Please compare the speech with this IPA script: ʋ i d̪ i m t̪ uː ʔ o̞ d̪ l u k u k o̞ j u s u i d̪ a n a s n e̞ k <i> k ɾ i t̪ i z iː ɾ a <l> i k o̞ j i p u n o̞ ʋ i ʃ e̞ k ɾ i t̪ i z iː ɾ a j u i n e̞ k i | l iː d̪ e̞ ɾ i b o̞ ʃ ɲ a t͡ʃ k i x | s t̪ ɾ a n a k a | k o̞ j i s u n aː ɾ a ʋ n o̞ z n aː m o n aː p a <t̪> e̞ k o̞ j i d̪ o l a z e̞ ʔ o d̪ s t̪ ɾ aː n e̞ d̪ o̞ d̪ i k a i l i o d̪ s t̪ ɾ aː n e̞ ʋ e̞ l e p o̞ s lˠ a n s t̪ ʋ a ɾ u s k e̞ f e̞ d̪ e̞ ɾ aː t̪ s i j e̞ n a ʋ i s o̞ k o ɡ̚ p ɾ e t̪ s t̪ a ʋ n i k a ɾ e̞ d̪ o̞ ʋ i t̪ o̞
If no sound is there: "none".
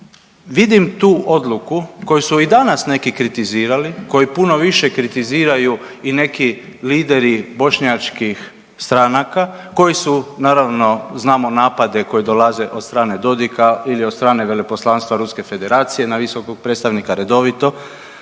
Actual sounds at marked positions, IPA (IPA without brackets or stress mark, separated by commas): i, l, d̪